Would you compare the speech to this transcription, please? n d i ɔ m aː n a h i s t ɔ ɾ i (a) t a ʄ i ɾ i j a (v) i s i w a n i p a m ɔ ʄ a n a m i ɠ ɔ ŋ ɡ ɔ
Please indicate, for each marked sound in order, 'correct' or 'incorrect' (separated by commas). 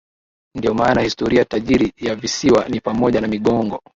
correct, correct